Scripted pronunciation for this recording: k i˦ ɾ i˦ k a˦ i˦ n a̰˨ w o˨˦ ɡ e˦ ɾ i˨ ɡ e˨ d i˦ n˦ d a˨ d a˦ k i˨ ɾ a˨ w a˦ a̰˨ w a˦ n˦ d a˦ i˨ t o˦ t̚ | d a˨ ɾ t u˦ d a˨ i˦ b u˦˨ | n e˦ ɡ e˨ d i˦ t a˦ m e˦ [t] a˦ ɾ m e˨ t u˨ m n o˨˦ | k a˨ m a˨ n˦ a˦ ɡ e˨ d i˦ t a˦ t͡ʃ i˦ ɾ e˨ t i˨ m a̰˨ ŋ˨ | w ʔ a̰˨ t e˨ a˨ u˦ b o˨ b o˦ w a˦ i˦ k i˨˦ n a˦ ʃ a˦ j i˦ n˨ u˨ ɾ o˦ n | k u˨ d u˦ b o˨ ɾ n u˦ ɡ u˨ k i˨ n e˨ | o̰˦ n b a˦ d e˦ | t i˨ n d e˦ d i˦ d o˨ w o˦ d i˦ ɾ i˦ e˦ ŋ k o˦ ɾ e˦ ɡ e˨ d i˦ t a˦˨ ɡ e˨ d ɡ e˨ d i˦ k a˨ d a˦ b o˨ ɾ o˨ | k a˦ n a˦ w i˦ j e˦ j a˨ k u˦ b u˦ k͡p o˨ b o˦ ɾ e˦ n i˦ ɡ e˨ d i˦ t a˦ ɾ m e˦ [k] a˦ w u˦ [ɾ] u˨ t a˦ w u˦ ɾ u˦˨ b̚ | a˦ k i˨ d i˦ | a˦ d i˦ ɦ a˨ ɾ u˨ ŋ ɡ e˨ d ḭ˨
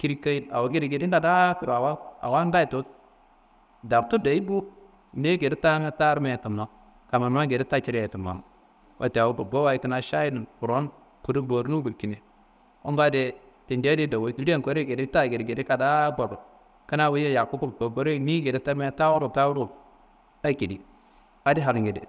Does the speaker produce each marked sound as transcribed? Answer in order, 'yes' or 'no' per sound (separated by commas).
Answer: yes, no, yes